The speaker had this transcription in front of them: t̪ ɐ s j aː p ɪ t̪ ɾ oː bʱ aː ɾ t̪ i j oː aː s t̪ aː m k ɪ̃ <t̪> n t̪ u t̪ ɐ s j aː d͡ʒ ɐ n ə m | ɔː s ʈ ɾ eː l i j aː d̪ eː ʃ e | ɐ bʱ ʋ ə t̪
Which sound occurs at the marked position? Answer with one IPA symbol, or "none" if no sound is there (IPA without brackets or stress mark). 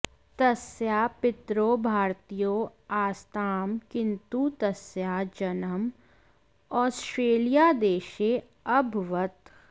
none